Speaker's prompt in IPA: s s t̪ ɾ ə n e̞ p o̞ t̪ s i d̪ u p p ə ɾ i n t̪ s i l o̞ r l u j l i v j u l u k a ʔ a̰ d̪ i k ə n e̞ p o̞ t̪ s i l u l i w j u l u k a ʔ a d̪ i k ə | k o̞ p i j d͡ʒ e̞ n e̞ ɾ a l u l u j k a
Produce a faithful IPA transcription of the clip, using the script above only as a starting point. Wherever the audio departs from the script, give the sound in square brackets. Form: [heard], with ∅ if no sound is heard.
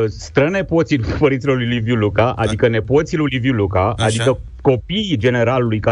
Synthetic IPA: s s t̪ ɾ ə n e̞ p o̞ t̪ s i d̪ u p p ə ɾ i n t̪ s i l o̞ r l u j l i v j u l u k a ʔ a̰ d̪ i k ə n e̞ p o̞ t̪ s i l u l i [v] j u l u k a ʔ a d̪ i k ə | k o̞ p i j d͡ʒ e̞ n e̞ ɾ a l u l u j k a